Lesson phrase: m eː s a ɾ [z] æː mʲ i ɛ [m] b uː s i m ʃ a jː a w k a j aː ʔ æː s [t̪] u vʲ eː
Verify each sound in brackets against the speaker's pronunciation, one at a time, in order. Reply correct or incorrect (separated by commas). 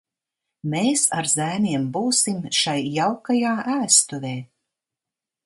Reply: correct, correct, correct